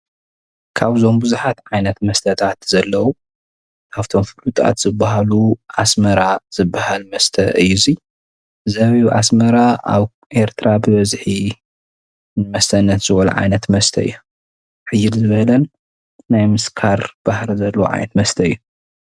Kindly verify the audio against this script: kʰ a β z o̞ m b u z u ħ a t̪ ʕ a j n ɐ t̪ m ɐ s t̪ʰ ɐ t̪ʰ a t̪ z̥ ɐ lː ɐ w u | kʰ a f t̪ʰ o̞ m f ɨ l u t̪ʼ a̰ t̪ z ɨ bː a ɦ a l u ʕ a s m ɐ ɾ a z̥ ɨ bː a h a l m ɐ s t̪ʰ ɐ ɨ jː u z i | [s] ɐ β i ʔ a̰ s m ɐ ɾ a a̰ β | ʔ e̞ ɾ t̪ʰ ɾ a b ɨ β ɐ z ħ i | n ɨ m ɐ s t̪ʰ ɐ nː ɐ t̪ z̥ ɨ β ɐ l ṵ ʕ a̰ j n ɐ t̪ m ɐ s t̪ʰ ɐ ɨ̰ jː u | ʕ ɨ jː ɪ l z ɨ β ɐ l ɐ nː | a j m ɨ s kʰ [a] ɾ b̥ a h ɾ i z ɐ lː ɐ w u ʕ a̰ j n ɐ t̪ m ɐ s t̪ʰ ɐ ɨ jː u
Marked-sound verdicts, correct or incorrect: incorrect, correct

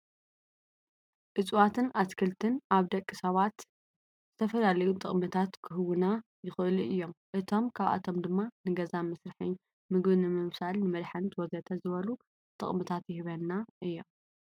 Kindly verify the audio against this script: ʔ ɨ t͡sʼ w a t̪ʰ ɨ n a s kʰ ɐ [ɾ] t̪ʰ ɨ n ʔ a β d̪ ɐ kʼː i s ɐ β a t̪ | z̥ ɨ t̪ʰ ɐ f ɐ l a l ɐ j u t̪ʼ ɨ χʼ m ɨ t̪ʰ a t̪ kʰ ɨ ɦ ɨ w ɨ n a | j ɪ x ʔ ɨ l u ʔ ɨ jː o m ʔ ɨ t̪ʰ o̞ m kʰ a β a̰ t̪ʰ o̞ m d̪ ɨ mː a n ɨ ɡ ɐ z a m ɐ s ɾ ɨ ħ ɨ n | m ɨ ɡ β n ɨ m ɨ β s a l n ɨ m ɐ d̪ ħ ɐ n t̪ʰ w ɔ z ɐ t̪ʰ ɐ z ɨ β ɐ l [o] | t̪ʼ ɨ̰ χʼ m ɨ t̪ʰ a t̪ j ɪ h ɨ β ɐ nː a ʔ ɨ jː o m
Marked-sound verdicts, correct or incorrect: incorrect, incorrect

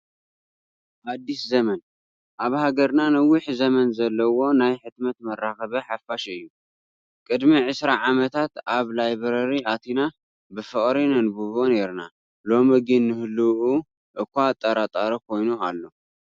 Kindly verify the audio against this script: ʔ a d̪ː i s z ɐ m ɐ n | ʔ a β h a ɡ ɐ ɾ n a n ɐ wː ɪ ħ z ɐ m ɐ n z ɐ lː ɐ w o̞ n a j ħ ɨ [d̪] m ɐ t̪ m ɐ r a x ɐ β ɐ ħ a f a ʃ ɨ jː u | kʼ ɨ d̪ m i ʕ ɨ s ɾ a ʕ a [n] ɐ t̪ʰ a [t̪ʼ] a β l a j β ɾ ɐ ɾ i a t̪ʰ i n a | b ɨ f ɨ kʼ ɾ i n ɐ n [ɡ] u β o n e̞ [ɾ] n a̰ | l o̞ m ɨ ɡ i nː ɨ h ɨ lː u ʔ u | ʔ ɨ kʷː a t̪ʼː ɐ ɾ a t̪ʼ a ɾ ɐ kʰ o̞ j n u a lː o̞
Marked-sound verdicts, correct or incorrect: incorrect, incorrect, incorrect, incorrect, correct

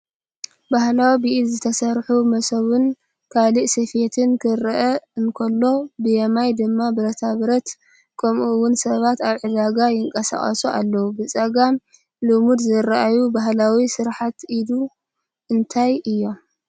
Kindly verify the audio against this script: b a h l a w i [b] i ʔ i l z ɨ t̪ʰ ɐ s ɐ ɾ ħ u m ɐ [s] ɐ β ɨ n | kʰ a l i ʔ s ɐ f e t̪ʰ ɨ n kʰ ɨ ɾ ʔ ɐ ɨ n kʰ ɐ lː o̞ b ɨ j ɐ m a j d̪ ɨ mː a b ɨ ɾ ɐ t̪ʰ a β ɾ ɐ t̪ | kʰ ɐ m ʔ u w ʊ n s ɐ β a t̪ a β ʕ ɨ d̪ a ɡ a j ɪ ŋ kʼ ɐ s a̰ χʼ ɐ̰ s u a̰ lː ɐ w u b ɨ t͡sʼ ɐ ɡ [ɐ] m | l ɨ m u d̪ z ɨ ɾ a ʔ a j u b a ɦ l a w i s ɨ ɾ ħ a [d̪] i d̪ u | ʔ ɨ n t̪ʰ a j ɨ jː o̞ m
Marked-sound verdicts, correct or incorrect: correct, correct, incorrect, incorrect

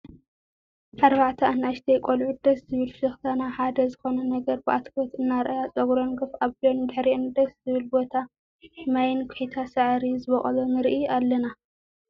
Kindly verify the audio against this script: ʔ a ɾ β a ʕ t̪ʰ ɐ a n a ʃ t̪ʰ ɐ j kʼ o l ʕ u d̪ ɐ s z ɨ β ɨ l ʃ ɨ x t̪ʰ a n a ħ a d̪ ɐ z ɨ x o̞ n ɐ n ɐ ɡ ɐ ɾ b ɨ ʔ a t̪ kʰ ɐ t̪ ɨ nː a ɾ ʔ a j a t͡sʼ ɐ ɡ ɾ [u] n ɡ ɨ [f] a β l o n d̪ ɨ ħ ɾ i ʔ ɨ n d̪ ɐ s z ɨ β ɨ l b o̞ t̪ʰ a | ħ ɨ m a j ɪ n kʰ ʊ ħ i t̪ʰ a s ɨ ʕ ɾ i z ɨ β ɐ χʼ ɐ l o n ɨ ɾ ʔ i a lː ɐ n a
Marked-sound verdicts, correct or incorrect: incorrect, correct

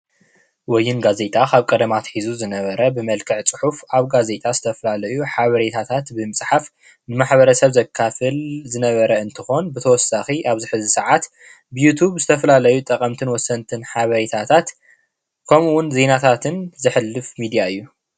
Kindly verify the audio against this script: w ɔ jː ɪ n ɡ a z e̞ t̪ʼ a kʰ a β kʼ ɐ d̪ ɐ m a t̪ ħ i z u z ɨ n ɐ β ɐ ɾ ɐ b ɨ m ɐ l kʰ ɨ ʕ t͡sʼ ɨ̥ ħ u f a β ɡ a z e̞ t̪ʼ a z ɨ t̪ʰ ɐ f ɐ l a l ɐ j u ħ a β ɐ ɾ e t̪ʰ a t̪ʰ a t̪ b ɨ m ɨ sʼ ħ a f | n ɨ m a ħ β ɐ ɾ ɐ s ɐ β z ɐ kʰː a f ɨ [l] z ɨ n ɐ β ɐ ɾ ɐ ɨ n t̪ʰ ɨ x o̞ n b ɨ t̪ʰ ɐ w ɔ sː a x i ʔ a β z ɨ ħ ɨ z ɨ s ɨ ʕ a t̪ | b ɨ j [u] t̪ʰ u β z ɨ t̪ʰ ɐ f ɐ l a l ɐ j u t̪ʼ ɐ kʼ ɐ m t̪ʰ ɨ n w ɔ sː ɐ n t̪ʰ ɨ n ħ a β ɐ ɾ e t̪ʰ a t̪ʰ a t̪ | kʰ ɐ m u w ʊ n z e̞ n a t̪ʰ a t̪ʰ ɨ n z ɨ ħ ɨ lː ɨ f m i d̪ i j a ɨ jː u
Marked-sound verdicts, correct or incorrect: correct, correct

